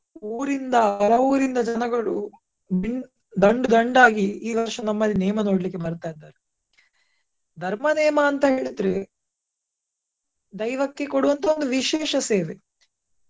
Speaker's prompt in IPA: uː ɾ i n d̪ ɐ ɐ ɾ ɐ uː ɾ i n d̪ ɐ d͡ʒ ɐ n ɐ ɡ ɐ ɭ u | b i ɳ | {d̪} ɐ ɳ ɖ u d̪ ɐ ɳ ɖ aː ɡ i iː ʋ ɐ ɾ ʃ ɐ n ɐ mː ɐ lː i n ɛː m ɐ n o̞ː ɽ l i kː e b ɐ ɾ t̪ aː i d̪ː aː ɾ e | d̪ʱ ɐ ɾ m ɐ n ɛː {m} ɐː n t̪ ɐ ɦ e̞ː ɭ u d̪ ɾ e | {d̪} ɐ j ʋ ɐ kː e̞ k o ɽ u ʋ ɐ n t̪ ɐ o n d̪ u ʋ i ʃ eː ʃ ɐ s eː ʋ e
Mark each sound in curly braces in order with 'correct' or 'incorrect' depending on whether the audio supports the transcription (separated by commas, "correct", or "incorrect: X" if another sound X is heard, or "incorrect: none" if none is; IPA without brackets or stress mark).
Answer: correct, correct, correct